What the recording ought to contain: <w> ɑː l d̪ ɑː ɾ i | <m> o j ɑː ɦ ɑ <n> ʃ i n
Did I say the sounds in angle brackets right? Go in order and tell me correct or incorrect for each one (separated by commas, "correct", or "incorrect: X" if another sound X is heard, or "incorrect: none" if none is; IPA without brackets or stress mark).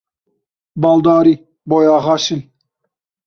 incorrect: b, incorrect: b, incorrect: none